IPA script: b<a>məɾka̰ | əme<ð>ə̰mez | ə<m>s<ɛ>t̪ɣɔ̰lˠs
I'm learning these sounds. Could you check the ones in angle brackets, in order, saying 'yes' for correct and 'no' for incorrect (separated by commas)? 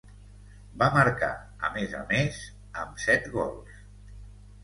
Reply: yes, no, yes, yes